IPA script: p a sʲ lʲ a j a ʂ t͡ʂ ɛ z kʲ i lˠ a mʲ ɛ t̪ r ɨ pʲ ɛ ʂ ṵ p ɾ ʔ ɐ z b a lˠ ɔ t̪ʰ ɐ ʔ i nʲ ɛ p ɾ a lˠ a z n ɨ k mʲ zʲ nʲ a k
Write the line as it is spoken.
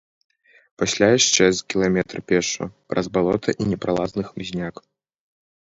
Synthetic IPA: p a sʲ lʲ a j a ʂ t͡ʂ ɛ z kʲ i lˠ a mʲ ɛ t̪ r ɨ pʲ ɛ ʂ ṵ p ɾ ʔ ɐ z b a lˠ ɔ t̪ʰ ɐ ʔ i nʲ ɛ p ɾ a lˠ a z n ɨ x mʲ zʲ nʲ a k